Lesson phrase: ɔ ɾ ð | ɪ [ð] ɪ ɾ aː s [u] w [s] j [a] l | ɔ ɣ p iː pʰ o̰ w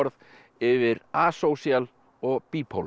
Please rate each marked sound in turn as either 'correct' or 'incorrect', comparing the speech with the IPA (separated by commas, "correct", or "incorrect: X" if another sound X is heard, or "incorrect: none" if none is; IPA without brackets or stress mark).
incorrect: v, incorrect: o, correct, correct